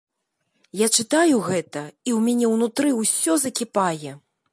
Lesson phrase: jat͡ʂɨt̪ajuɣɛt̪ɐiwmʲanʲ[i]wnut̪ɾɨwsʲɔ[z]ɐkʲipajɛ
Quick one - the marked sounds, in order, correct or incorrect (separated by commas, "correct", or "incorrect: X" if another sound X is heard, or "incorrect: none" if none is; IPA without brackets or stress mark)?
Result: incorrect: ɛ, correct